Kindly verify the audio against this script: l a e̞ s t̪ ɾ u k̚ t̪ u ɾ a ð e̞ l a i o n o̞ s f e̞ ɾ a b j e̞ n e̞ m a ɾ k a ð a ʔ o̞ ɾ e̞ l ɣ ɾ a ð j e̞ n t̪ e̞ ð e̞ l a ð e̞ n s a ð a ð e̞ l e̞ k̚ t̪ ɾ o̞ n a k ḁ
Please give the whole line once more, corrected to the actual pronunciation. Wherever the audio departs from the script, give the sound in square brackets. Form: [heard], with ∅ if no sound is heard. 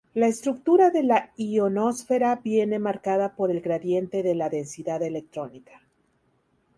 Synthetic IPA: l a e̞ s t̪ ɾ u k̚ t̪ u ɾ a ð e̞ l a i o n o̞ s f e̞ ɾ a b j e̞ n e̞ m a ɾ k a ð a [p] o̞ ɾ e̞ l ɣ ɾ a ð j e̞ n t̪ e̞ ð e̞ l a ð e̞ n s [i] ð a ð e̞ l e̞ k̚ t̪ ɾ o̞ n [i] k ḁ